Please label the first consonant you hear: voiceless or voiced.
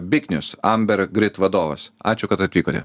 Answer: voiced